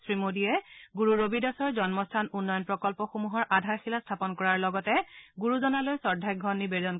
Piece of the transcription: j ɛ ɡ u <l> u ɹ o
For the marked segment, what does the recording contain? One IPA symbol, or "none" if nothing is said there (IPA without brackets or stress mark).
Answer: ɹ